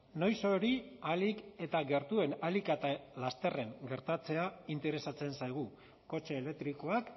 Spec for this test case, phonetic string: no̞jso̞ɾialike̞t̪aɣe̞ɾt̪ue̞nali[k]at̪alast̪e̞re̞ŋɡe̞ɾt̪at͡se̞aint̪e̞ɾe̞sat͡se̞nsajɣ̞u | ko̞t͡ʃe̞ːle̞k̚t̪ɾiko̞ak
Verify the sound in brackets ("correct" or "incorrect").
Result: correct